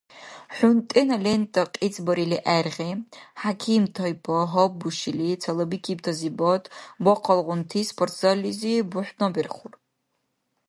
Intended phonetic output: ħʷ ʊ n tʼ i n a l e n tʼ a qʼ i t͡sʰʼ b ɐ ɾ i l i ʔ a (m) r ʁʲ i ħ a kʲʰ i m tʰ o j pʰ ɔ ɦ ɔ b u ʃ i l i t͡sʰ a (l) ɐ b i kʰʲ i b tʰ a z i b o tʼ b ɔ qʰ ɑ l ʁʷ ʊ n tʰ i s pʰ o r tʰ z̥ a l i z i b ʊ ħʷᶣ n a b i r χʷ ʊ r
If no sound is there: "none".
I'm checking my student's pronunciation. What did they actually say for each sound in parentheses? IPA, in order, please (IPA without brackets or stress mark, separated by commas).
none, l